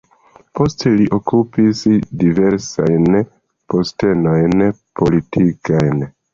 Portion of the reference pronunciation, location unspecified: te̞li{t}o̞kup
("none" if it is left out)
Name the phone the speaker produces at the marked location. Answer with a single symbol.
ʔ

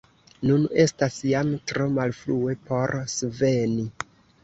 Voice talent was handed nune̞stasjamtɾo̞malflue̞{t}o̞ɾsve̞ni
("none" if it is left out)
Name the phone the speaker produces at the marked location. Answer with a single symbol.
p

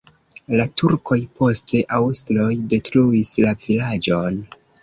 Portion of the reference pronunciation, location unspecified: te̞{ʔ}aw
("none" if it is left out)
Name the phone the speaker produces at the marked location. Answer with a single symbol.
ʔ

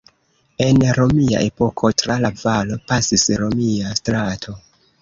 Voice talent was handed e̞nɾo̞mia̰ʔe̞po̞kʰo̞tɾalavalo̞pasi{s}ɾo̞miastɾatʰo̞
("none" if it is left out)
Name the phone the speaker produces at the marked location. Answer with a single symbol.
s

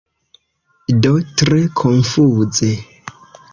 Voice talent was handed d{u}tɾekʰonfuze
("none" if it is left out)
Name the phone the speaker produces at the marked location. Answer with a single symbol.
o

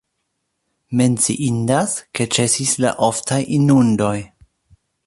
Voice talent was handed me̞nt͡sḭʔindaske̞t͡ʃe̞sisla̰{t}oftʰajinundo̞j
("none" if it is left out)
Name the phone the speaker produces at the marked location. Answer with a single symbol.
ʔ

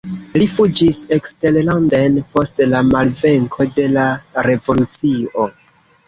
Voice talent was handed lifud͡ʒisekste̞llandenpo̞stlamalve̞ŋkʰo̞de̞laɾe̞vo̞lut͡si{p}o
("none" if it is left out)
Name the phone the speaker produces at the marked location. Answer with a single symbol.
none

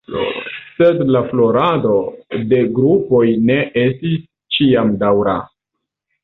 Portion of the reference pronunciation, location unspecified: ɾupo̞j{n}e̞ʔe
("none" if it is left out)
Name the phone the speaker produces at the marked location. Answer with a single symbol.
n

